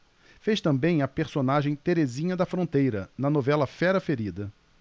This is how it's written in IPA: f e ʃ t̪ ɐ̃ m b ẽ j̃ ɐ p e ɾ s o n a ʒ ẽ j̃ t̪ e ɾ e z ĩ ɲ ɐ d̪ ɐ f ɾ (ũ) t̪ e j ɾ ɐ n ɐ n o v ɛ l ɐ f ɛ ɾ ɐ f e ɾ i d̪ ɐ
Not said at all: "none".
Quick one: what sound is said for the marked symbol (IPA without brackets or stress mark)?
õ